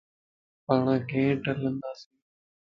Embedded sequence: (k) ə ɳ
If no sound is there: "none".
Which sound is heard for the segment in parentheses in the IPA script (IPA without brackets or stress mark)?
p